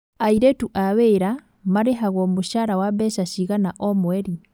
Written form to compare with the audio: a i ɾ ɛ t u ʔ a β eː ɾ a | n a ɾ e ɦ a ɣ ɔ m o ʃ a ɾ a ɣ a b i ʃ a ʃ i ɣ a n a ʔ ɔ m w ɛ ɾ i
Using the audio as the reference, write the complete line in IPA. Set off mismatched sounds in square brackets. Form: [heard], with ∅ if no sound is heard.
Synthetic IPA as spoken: a i ɾ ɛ t u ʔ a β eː ɾ a | [m] a ɾ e ɦ a ɣ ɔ m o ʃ a ɾ a [w] a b [ɛ] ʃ a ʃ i ɣ a n a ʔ ɔ m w ɛ ɾ i

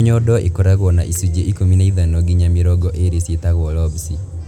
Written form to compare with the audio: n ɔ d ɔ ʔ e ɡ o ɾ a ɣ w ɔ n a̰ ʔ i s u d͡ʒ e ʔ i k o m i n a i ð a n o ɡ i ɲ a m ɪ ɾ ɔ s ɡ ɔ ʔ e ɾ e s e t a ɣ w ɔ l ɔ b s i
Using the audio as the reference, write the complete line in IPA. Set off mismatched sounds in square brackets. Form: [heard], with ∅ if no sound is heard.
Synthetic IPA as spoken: [ɲ] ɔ d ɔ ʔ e [k] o ɾ a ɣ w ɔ n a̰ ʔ i s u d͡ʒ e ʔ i k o m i n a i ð a n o ɡ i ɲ a m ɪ ɾ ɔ [∅] ɡ ɔ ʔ e ɾ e s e t a ɣ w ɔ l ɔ b s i

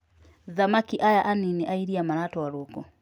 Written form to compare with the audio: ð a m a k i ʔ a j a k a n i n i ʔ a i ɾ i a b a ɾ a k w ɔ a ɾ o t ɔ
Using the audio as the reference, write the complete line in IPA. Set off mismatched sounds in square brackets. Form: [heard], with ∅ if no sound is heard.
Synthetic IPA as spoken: ð a m a k i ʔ a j a [ʔ] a n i n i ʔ a i ɾ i a [m] a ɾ a [t] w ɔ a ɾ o [k] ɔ

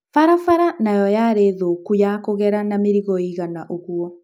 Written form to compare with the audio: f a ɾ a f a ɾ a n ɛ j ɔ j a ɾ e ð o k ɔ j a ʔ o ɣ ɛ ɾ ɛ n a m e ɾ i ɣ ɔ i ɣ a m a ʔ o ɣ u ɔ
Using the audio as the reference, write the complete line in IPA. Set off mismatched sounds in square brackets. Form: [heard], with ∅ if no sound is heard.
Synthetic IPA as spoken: f a ɾ a f a ɾ a n [a] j ɔ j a ɾ e ð o k [u] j a [k] o ɣ ɛ ɾ [a] n a m e ɾ i ɣ ɔ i ɣ a [n] a ʔ o ɣ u ɔ

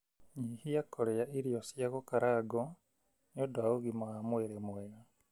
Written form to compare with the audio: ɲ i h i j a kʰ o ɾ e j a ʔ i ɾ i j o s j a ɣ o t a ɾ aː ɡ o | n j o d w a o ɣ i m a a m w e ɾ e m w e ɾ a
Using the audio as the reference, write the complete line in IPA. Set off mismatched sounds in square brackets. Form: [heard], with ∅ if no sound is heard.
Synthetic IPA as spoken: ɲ i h i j a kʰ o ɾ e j a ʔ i ɾ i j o s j a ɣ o [k] a ɾ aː ɡ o | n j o d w a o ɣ i m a a m w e ɾ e m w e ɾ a

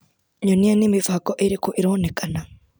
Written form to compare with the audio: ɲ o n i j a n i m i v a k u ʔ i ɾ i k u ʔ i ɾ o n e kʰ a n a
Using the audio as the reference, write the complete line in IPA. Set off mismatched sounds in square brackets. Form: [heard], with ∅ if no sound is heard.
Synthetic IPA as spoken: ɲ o n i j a n i m i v a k [o] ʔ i ɾ i k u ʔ i ɾ o n e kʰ a n a

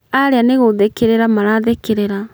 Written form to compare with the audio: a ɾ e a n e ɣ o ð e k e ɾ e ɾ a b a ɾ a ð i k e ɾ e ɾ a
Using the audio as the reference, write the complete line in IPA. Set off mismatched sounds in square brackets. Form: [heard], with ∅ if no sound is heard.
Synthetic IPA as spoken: a ɾ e a n e ɣ o ð e k e ɾ e ɾ a [m] a ɾ a ð [e] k e ɾ e ɾ a

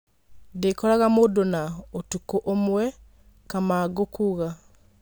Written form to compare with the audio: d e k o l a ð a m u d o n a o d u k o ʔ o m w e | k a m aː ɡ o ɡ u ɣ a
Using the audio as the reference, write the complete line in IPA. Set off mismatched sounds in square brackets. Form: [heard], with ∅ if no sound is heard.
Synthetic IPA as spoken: d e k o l a [ɣ] a m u d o n a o [t] u k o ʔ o m w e | k a m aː ɡ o [k] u ɣ a

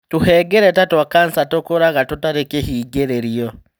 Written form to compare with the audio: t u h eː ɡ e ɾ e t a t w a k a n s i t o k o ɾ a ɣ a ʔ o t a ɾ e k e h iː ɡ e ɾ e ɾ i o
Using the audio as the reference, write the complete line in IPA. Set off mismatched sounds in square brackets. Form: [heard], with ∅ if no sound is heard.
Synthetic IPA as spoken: t u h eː ɡ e ɾ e t a t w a k a n s [a] t o k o ɾ a ɣ a [t] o t a ɾ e k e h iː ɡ e ɾ e ɾ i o

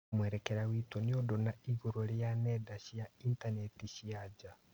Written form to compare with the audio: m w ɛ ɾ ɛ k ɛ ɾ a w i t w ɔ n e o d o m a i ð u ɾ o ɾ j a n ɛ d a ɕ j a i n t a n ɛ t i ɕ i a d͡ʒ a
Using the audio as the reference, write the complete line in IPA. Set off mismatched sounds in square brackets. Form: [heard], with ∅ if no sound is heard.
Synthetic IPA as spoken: m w ɛ ɾ ɛ k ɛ ɾ a w i t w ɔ n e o d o [n] a i [ɣ] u ɾ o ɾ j a n ɛ d a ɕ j a i n t a n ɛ t i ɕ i a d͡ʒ a

